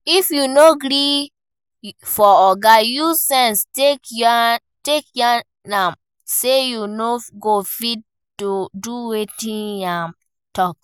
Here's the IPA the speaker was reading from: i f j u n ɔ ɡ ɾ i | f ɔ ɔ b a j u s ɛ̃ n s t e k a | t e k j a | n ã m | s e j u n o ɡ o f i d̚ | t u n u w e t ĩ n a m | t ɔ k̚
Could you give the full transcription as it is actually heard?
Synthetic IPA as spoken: i f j u n o ɡ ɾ i | f ɔ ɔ ɡ a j u s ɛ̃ n s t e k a | t e k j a | n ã m | s e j u n o ɡ o f i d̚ | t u d u w e t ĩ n a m | t ɔ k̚